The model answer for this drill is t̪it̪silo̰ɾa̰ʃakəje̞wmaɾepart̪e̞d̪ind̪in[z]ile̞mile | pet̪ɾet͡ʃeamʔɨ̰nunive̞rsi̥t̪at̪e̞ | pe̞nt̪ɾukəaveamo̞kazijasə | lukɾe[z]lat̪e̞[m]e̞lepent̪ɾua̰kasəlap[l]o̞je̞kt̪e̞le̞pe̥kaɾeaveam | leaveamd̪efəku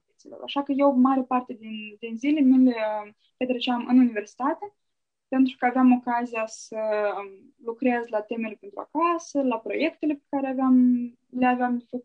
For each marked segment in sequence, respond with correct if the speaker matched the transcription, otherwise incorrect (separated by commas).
correct, correct, correct, incorrect